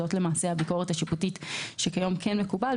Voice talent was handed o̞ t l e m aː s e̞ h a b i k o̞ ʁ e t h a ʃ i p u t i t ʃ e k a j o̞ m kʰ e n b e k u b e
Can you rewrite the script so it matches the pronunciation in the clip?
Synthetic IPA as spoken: o̞ t l e m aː s e̞ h a b i k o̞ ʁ e t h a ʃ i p u t i t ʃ e k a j o̞ m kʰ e n m e k u b a